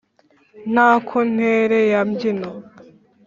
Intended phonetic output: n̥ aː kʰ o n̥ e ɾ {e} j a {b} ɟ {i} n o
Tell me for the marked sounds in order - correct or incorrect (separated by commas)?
correct, incorrect, correct